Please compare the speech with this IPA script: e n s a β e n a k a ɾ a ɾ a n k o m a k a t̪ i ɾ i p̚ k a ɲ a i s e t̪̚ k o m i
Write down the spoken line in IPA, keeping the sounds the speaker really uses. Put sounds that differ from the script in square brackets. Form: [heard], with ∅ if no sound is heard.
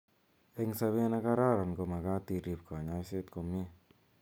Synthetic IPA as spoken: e [ŋ] s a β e n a k a ɾ a ɾ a n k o m a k a t̪ i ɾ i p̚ k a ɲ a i s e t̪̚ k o m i